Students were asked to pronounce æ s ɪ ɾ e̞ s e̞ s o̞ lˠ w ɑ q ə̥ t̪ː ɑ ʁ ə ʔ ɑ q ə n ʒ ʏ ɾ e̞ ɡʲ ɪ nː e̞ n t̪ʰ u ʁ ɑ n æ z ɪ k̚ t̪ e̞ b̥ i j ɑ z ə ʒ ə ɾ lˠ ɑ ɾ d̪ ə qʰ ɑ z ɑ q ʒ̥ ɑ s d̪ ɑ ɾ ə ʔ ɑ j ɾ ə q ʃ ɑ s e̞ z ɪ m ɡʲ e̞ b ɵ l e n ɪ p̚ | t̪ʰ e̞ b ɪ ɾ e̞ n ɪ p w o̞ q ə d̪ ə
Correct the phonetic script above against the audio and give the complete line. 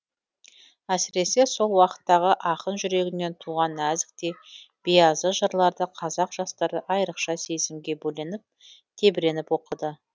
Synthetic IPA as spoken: æ s ɪ ɾ e̞ s e̞ s o̞ lˠ w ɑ q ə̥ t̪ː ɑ ʁ ə ʔ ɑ q ə n ʒ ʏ ɾ e̞ ɡʲ ɪ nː e̞ n t̪ʰ u ʁ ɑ n æ z ɪ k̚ t̪ e̞ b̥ i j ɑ z ə ʒ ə ɾ lˠ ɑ ɾ d̪ ə qʰ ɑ z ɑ q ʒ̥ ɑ s t̪ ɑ ɾ ə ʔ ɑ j ɾ ə q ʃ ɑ s e̞ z ɪ m ɡʲ e̞ b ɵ l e n ɪ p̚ | t̪ʰ e̞ b ɪ ɾ e̞ n ɪ p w o̞ q ə d̪ ə